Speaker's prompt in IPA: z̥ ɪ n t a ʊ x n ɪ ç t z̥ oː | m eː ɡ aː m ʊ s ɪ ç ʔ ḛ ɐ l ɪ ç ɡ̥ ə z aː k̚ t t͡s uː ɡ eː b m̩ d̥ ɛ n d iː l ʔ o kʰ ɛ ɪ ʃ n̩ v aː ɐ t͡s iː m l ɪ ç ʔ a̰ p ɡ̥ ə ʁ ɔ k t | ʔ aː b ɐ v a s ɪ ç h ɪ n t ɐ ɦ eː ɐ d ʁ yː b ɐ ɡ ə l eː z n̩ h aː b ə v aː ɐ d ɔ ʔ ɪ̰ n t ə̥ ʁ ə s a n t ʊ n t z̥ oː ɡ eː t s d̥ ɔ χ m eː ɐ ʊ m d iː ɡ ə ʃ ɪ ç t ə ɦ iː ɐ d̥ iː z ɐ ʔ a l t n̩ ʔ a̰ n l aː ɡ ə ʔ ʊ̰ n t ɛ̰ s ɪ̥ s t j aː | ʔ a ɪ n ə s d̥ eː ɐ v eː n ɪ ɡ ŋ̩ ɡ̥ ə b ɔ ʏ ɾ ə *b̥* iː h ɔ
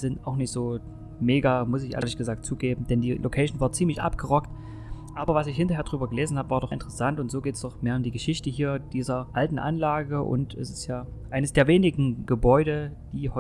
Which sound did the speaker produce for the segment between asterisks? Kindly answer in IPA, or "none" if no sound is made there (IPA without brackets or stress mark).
d̥